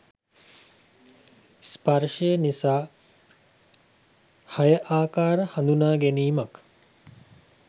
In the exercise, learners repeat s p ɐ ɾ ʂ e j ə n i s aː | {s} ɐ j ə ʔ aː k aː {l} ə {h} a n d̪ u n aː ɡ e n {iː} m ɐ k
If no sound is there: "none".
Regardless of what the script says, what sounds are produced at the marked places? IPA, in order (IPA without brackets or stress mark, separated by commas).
h, ɾ, h, iː